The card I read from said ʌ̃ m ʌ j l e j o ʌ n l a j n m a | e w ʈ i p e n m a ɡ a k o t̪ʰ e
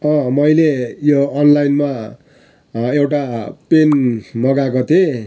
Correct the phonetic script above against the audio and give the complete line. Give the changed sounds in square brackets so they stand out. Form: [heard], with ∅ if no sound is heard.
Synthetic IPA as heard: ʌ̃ m ʌ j l e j o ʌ n l a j n m a | e w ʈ [a] p e n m [ʌ] ɡ a k o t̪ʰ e